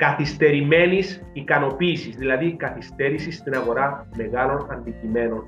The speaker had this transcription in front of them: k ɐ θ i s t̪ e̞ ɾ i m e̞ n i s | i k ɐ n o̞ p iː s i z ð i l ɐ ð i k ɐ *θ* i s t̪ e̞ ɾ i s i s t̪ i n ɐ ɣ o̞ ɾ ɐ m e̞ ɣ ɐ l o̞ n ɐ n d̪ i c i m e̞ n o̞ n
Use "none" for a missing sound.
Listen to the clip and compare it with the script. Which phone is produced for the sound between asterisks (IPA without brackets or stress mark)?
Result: θ